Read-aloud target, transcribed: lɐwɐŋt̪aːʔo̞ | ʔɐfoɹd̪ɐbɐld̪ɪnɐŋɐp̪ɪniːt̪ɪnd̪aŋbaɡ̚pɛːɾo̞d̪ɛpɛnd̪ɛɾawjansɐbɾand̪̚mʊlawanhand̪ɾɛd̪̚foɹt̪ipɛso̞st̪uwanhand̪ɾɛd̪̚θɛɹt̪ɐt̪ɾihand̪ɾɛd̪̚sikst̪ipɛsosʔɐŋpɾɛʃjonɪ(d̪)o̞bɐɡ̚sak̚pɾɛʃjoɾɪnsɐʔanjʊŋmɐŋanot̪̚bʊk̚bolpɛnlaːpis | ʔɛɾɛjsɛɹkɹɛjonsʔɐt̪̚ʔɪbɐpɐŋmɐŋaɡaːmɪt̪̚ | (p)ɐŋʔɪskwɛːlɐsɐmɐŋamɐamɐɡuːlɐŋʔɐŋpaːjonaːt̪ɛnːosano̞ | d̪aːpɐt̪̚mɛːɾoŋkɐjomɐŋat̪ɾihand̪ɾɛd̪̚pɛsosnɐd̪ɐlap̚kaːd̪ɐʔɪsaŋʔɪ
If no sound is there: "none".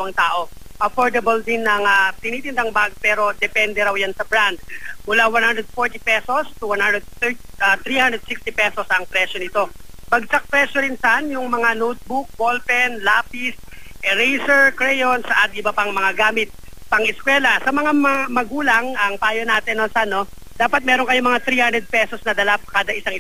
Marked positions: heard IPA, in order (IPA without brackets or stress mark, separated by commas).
t̪, p